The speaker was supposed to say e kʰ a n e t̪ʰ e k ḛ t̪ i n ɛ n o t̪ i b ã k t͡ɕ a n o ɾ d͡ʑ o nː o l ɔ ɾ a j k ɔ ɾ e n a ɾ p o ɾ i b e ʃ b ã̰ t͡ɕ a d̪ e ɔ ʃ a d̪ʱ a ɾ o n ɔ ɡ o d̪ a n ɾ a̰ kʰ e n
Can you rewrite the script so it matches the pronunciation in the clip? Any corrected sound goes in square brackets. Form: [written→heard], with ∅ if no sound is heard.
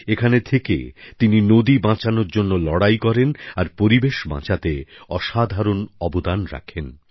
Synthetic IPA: e kʰ a n e t̪ʰ e k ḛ t̪ i n [ɛ→i] n o [t̪→d̪] i b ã [k→∅] t͡ɕ a n o ɾ d͡ʑ o nː o l ɔ [ɾ→ɽ] a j k ɔ ɾ e n a ɾ p o ɾ i b e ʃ b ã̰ t͡ɕ a [d̪→t̪] e ɔ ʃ a d̪ʱ a ɾ o n ɔ [ɡ→b] o d̪ a n ɾ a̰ kʰ e n

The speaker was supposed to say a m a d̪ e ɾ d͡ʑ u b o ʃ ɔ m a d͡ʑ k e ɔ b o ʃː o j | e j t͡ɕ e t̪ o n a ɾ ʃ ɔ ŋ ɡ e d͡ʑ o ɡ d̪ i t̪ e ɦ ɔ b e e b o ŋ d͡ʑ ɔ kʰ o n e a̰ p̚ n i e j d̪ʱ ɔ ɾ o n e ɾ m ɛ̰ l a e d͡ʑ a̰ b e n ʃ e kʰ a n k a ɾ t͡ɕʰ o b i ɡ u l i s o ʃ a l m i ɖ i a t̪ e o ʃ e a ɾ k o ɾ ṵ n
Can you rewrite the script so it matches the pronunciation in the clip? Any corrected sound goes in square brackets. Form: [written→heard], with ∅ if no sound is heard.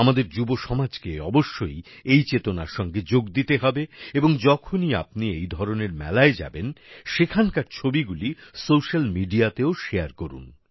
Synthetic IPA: a m a d̪ e ɾ d͡ʑ u b o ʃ ɔ m a d͡ʑ k e ɔ b o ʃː o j | e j t͡ɕ e t̪ o n a ɾ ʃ ɔ ŋ ɡ e d͡ʑ o ɡ d̪ i t̪ e ɦ ɔ b e e b o ŋ d͡ʑ ɔ kʰ o n [e→i] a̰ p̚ n i e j d̪ʱ ɔ ɾ o n e ɾ m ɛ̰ l a e d͡ʑ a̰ b e n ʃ e kʰ a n k a ɾ t͡ɕʰ o b i ɡ u l i s o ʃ a l m i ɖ i a t̪ e o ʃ e a ɾ k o ɾ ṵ n

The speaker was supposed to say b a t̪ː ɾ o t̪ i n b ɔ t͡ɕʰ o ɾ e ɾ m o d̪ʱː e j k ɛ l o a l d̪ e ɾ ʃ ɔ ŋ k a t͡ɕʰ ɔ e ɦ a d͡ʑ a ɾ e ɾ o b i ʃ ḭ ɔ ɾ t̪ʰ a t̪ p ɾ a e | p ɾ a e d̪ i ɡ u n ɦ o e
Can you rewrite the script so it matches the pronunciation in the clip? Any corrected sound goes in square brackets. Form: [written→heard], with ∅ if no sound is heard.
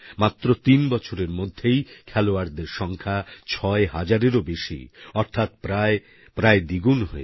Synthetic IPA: [b→m] a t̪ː ɾ o t̪ i n b ɔ t͡ɕʰ o ɾ e ɾ m o d̪ʱː e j [k→kʰ] ɛ l o a [l→ɾ] d̪ e ɾ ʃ ɔ ŋ [k→kʰ] a t͡ɕʰ ɔ e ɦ a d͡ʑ a ɾ e ɾ o b [i→e] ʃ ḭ ɔ ɾ t̪ʰ a t̪ p ɾ a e | p ɾ a e d̪ i ɡ u n ɦ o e

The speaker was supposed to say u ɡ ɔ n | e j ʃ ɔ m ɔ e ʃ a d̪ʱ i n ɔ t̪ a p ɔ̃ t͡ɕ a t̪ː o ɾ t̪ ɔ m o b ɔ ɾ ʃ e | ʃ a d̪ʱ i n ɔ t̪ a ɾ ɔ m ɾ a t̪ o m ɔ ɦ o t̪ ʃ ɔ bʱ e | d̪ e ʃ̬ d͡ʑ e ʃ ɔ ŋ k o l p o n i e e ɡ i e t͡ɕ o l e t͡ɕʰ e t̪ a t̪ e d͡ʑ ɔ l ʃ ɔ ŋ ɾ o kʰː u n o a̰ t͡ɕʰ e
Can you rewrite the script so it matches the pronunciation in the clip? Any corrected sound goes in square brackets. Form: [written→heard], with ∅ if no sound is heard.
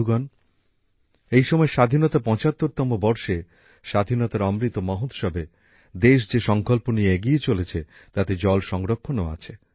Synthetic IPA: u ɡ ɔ n | e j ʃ ɔ m ɔ e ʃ a d̪ʱ i n ɔ t̪ a p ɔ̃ t͡ɕ a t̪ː o ɾ t̪ ɔ m o b ɔ ɾ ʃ e | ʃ a d̪ʱ i n ɔ t̪ a ɾ ɔ m ɾ [a→i] t̪ o m ɔ ɦ o t̪ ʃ ɔ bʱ e | d̪ e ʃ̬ d͡ʑ e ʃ ɔ ŋ k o l p o n i e e ɡ i e t͡ɕ o l e t͡ɕʰ e t̪ a t̪ e d͡ʑ ɔ l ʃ ɔ ŋ ɾ o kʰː [u→o] n o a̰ t͡ɕʰ e

